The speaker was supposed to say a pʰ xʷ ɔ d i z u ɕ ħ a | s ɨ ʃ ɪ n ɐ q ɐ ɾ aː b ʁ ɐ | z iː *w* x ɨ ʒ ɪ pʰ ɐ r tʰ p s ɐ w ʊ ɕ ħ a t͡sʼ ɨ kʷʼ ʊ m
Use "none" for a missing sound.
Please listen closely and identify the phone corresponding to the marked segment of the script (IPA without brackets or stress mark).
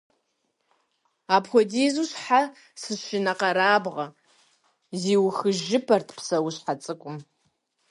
w